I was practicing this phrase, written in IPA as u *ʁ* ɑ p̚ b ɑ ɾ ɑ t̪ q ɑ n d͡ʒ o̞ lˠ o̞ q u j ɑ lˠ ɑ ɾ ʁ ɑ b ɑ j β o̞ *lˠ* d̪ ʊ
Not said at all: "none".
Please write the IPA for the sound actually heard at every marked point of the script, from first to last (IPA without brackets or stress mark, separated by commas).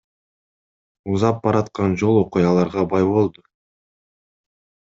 z, lˠ